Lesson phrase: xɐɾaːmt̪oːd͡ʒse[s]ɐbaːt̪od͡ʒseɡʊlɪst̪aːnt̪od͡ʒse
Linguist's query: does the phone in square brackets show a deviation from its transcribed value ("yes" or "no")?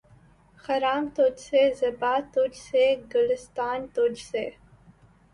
yes